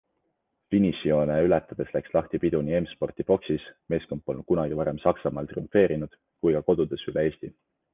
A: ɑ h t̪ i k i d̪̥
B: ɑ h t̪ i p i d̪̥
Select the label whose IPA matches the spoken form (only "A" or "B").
B